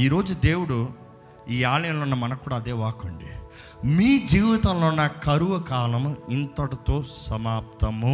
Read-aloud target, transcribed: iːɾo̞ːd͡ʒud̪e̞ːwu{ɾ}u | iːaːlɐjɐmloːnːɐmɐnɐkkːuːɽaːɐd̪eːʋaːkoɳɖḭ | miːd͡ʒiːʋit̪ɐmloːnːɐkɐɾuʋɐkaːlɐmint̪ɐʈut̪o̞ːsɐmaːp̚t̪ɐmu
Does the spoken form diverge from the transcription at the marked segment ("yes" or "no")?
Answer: yes